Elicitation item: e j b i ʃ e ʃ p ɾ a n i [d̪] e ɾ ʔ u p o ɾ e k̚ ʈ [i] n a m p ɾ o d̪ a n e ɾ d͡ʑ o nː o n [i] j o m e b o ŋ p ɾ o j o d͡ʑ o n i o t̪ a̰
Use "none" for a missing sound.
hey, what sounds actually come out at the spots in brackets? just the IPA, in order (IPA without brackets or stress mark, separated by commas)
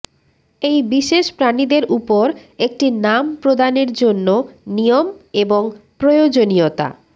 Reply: d̪, i, i